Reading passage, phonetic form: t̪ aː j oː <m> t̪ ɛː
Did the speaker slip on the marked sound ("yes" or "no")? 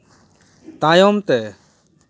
no